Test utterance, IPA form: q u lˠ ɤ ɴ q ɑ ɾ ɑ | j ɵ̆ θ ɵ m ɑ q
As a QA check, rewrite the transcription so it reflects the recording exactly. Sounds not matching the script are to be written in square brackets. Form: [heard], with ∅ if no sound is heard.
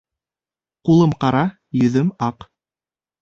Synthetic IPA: q u lˠ ɤ [m] q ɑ ɾ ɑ | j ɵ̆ [ð] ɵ m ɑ q